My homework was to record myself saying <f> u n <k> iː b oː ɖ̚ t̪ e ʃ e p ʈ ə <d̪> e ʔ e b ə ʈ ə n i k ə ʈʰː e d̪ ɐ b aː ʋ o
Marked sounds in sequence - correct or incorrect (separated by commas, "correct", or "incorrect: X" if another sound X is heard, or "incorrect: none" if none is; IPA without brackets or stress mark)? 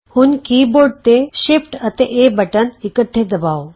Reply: incorrect: h, correct, incorrect: t̪